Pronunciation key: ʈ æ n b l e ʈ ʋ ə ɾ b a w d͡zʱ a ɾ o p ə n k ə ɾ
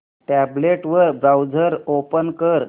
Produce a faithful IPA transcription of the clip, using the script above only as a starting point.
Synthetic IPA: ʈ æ b l e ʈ ʋ ə ɾ b a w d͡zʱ ə ɾ o p ə n k ə ɾ